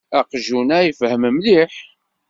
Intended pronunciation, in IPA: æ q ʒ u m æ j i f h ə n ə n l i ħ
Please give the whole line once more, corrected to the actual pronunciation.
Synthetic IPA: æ q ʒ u n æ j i f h ə m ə m l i ħ